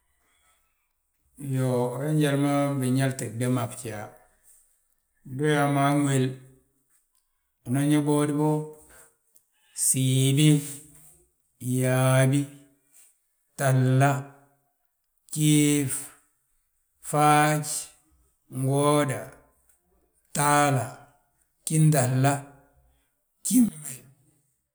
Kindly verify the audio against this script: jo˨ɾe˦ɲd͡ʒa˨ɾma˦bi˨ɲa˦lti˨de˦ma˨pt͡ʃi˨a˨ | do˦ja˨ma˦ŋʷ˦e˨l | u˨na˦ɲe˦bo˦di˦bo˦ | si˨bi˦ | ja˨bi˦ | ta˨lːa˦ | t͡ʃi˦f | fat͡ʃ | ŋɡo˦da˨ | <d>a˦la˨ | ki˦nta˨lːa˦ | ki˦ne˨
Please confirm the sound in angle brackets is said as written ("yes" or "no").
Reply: no